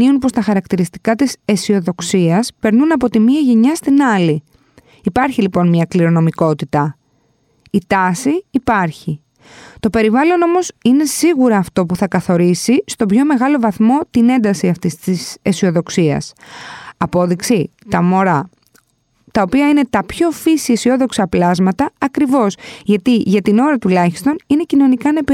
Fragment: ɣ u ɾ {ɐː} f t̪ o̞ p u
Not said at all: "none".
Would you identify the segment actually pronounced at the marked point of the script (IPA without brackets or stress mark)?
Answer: ɐː